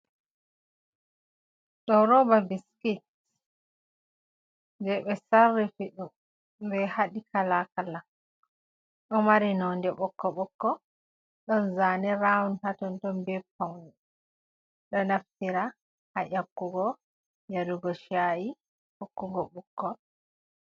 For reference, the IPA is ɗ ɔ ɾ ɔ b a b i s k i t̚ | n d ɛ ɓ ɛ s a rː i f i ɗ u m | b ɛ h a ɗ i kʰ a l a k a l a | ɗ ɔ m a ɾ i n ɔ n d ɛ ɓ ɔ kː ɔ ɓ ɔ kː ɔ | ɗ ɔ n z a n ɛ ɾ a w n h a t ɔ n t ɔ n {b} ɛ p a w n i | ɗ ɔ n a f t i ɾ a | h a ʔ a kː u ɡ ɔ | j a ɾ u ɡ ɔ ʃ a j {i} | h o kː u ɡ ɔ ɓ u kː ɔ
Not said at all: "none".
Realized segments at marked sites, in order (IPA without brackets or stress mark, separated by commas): b, i